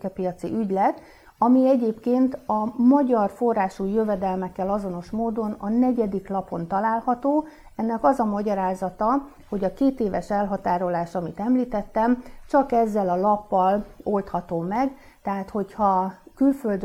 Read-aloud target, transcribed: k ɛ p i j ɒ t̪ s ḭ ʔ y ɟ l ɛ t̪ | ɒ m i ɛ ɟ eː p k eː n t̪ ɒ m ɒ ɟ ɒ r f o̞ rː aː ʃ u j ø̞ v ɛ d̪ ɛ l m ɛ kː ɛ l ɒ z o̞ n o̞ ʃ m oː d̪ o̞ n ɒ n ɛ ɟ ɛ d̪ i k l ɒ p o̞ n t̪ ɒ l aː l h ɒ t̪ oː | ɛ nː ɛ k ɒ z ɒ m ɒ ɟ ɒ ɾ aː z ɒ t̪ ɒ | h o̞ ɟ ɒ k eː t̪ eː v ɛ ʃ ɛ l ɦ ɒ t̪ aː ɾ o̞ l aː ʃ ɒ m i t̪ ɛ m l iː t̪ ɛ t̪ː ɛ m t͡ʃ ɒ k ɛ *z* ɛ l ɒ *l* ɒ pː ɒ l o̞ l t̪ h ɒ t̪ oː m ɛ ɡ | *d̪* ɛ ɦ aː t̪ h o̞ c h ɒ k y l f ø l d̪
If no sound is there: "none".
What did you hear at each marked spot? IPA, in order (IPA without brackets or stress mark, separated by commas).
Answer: zː, l, t̪